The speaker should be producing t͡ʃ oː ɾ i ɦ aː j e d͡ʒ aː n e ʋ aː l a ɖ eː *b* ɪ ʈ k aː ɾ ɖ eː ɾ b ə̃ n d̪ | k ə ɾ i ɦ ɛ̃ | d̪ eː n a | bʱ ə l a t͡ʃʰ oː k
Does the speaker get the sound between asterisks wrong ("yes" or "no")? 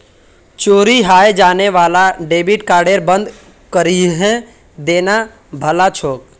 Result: no